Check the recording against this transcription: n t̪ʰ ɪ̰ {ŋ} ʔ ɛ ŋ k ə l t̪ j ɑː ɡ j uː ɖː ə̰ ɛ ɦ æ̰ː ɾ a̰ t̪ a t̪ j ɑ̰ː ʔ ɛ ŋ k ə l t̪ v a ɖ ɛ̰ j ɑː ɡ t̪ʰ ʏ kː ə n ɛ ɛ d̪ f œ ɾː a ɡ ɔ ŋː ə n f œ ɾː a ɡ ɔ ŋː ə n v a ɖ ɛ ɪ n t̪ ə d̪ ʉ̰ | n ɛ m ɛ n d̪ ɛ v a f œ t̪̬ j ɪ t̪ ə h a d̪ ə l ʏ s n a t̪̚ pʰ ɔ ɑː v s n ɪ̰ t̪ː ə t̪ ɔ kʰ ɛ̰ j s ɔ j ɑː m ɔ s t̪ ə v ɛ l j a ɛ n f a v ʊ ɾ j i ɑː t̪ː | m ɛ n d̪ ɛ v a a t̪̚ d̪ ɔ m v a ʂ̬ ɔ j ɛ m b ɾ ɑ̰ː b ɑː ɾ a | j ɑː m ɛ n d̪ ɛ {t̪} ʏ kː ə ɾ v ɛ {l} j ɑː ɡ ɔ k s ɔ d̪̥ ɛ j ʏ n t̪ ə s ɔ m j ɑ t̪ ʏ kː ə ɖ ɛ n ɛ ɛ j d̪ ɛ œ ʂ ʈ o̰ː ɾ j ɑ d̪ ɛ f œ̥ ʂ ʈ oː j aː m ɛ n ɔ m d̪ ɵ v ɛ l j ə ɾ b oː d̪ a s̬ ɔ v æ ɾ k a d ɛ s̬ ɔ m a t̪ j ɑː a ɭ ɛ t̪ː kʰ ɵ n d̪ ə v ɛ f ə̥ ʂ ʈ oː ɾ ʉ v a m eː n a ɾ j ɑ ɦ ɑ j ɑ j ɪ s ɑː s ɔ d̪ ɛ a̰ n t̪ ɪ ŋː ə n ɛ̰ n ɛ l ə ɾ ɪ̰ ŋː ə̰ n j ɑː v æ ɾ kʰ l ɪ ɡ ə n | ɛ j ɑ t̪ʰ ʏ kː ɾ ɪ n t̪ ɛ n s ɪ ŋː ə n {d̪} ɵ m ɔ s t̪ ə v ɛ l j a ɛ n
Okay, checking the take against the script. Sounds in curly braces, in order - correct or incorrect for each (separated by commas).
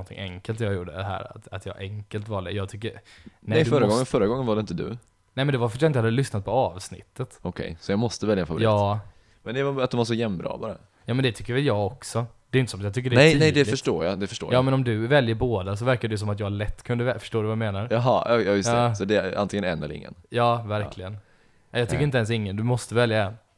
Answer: correct, incorrect, correct, correct